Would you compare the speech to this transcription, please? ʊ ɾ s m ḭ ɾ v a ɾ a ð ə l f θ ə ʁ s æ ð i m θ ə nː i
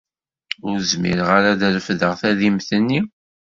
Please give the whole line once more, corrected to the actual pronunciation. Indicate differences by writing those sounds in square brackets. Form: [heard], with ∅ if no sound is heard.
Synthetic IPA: ʊ ɾ [z] m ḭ ɾ [ʁ] a ɾ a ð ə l f [ð] ə ʁ [θ] æ ð i m θ ə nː i